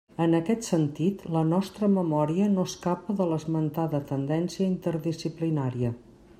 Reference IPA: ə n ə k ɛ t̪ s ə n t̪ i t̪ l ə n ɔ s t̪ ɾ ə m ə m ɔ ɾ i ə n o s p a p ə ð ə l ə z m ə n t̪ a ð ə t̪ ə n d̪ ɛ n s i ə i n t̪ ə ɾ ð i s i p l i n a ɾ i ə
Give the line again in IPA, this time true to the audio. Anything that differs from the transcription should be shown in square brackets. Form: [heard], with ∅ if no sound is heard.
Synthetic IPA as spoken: ə n ə k ɛ t̪ s ə n t̪ i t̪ l ə n ɔ s t̪ ɾ ə m ə m ɔ ɾ i ə n o s [k] a p ə ð ə l ə z m ə n t̪ a ð ə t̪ ə n d̪ ɛ n s i ə i n t̪ ə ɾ ð i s i p l i n a ɾ i ə